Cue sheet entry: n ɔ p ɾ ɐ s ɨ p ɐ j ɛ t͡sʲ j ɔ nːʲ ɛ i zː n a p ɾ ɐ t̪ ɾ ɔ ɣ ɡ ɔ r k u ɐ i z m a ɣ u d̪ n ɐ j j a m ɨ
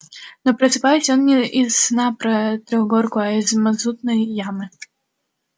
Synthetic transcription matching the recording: n ɔ p ɾ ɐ s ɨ p a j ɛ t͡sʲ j ɔ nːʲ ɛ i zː n a p ɾ ɐ t̪ ɾ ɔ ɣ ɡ ɔ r k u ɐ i z m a z u t̪ n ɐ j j a m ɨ